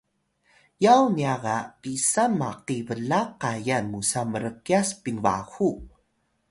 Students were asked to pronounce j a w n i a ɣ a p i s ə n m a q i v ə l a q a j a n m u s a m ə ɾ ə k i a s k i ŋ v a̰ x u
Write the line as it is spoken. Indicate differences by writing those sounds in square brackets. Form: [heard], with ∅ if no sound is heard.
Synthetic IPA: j a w n i a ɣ a p i s [a] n m a q i v ə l a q a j a n m u s a m ə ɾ ə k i a s [p] i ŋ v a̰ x u